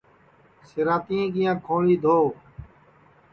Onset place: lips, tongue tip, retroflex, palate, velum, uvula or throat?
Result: tongue tip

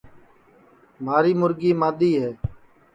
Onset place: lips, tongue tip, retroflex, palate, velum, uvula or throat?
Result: lips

